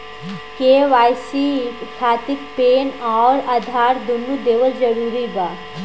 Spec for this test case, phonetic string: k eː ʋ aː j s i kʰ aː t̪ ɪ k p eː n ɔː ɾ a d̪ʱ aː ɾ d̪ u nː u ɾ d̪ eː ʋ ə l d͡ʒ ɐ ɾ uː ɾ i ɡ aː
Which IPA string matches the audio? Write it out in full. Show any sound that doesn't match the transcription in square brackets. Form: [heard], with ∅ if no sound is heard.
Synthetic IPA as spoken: k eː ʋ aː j s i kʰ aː t̪ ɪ k p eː n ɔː ɾ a d̪ʱ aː ɾ d̪ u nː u [∅] d̪ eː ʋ ə l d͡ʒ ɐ ɾ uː ɾ i ɡ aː